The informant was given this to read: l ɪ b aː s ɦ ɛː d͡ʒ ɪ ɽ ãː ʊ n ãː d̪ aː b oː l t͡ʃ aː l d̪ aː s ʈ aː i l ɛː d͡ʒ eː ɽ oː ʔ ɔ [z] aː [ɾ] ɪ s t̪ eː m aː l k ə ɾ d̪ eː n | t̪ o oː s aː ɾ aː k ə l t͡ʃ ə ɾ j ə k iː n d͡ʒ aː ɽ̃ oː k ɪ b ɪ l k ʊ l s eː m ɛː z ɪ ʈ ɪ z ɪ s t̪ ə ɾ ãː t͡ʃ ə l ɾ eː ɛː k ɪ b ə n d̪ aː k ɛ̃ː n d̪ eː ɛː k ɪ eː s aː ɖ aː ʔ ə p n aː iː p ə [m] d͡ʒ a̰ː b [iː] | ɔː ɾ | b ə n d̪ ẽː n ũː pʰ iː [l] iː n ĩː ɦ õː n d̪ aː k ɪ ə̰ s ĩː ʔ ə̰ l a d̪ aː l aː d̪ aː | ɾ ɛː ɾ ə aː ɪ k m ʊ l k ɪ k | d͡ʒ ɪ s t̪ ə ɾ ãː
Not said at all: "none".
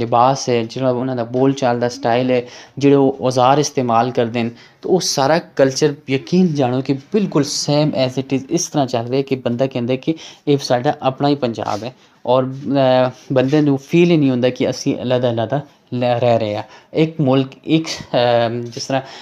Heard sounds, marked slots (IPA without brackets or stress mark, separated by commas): z, ɾ, ɲ, ɛː, l